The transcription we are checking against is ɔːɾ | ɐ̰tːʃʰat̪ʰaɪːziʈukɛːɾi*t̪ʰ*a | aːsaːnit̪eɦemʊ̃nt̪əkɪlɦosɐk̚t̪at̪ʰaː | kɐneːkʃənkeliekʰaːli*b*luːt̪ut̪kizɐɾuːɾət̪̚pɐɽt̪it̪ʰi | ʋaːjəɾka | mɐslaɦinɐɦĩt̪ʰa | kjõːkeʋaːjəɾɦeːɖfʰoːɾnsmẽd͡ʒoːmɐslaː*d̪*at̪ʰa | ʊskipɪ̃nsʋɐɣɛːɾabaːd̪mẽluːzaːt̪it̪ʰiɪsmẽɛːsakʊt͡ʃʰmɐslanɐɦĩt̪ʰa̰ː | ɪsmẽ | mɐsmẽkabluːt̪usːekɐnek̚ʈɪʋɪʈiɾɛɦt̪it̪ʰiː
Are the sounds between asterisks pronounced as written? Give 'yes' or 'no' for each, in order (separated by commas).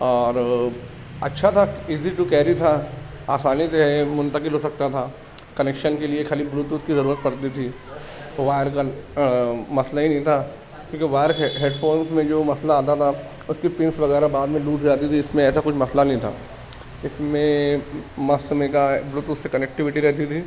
yes, yes, no